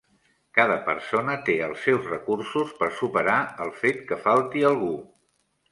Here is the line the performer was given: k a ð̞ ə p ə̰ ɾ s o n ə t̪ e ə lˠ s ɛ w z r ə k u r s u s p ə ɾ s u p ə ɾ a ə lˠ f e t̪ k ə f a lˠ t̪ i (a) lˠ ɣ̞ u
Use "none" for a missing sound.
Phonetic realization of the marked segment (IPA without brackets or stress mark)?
ə